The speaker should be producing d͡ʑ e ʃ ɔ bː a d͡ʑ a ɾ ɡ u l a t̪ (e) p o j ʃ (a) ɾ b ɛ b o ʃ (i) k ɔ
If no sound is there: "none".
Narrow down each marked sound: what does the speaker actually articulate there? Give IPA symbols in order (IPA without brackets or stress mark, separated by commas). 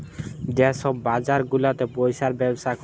e, a, a